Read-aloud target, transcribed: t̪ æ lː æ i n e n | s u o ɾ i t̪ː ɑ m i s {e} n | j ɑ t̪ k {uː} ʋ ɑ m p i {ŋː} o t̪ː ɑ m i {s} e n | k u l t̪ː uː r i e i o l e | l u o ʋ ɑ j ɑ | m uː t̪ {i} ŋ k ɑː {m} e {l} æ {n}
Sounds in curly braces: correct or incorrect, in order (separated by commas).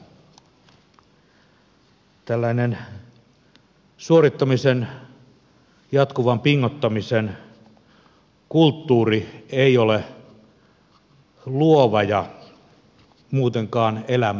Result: correct, incorrect, correct, correct, incorrect, incorrect, correct, incorrect